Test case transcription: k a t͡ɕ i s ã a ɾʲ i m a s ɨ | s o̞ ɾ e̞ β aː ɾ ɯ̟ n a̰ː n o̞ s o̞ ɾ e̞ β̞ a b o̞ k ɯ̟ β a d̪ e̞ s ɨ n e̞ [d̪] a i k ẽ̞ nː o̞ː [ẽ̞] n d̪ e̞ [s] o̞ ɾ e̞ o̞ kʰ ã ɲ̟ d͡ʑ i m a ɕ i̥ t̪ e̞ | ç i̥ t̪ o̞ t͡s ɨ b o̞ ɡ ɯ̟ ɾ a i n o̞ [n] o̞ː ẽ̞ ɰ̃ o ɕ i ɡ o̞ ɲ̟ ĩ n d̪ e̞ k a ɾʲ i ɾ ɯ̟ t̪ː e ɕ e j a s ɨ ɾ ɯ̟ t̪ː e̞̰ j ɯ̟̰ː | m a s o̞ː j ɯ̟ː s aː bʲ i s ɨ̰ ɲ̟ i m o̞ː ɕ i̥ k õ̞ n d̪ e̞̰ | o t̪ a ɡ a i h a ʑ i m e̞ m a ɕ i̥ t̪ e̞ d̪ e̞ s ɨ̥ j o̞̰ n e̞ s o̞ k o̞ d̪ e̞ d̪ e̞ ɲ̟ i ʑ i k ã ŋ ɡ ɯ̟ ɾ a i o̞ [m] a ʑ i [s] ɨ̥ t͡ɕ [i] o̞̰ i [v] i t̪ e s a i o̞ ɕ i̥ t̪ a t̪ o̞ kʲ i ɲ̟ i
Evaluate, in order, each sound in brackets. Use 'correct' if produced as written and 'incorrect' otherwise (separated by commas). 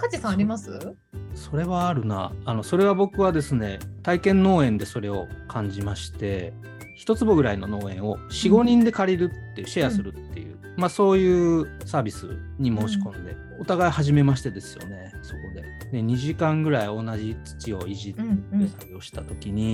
incorrect, correct, correct, correct, incorrect, incorrect, correct, incorrect